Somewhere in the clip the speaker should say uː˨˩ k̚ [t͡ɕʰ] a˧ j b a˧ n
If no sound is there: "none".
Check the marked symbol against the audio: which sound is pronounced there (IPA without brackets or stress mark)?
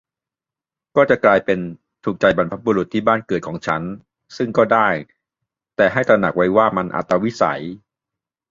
t͡ɕ